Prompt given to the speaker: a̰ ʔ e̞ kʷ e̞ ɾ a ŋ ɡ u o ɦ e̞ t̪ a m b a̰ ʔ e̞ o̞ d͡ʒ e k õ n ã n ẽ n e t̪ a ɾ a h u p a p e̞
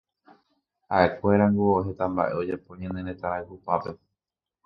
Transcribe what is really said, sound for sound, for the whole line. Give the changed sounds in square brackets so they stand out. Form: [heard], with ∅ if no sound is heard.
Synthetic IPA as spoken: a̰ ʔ e̞ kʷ e̞ ɾ a ŋ ɡ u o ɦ e̞ t̪ a m b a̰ ʔ e̞ o̞ d͡ʒ e [p] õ [ɲ] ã n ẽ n e t̪ a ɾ a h u p a p e̞